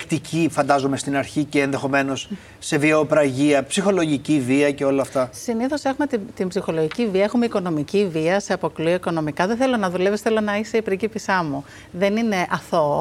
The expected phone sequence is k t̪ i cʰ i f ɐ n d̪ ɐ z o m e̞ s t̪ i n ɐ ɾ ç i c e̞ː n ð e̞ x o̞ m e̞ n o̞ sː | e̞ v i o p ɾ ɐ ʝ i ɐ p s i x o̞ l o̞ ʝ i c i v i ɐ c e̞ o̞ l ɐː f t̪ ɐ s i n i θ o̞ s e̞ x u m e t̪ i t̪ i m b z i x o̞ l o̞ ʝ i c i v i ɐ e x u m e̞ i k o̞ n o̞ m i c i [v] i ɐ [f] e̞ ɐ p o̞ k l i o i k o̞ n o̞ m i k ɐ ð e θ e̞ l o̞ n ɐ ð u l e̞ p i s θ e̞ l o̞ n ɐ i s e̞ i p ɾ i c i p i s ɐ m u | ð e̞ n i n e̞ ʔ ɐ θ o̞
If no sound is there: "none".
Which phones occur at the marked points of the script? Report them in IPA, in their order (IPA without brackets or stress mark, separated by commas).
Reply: v, s